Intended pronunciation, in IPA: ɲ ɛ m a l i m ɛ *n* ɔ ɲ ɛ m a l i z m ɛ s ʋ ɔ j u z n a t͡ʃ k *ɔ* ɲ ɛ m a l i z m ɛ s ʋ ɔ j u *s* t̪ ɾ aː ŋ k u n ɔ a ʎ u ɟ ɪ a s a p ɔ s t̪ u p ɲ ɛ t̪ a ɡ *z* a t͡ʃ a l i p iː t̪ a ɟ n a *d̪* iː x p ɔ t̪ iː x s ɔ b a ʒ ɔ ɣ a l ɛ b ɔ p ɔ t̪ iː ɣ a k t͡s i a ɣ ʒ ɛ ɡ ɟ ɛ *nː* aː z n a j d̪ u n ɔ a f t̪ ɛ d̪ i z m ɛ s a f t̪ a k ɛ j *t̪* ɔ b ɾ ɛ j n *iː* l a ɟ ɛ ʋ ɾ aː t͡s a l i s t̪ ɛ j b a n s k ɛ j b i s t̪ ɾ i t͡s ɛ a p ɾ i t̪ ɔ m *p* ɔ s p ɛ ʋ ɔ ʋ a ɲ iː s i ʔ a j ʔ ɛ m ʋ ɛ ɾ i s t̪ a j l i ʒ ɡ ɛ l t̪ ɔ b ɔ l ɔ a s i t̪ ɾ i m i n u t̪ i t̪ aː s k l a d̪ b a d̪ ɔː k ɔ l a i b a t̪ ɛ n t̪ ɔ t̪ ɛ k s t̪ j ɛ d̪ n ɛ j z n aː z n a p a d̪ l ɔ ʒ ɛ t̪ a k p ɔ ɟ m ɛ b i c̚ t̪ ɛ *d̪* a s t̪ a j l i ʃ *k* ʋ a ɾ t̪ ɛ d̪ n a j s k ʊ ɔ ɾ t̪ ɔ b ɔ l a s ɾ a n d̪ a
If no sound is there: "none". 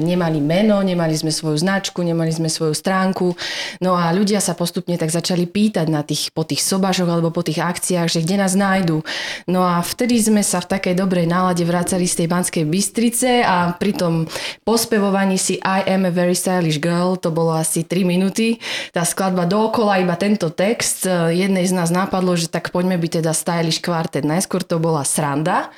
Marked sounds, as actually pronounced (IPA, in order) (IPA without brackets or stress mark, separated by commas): n, u, s, z, t̪, n, d̪, aː, p, d̪, k